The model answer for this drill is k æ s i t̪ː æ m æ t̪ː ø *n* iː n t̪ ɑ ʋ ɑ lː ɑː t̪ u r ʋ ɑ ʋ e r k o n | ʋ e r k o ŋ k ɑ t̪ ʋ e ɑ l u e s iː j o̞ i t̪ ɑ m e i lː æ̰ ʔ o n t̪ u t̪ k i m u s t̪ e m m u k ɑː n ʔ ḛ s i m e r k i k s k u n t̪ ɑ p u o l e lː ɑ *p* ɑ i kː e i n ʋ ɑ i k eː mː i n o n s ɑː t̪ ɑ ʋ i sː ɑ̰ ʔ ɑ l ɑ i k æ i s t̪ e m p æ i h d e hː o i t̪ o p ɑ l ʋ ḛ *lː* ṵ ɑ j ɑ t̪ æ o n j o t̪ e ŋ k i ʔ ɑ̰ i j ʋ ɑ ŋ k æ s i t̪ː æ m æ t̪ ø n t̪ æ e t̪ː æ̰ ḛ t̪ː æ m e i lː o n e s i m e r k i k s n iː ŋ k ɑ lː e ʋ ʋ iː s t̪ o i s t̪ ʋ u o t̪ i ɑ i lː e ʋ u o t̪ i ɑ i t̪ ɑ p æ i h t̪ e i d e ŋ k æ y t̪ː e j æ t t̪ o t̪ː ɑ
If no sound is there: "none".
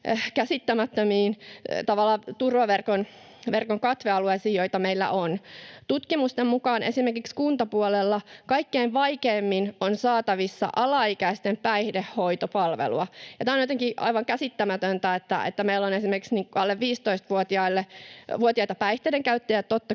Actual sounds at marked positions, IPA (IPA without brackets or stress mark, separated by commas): m, k, l